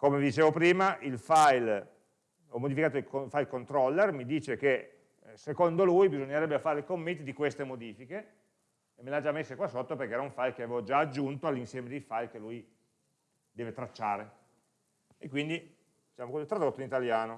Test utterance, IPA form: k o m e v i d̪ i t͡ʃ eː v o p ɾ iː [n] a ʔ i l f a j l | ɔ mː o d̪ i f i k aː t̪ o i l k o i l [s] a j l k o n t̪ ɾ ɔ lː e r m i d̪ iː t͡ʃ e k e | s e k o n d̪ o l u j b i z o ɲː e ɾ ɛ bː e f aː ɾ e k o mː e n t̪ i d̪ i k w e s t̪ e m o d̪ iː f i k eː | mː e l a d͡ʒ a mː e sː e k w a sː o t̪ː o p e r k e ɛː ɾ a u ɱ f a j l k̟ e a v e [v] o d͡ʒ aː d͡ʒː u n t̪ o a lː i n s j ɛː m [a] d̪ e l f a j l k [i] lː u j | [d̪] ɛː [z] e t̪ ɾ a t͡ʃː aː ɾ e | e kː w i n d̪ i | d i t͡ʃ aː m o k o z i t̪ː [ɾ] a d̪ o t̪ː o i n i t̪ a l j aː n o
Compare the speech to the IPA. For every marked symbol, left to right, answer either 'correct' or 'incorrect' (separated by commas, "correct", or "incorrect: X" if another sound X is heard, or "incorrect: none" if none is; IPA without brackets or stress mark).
incorrect: m, incorrect: f, correct, incorrect: e, incorrect: e, correct, incorrect: v, correct